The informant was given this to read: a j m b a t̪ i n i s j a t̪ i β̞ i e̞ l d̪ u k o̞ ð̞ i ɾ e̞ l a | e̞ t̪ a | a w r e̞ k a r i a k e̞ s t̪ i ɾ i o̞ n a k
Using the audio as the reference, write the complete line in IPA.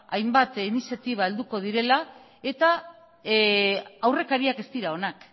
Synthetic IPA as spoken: a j m b a t̪ i n i s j a t̪ i β̞ a e̞ l d̪ u k o̞ ð̞ i ɾ e̞ l a | e̞ t̪ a | a w r e̞ k a ɾ i a k e̞ s t̪ i ɾ a o̞ n a k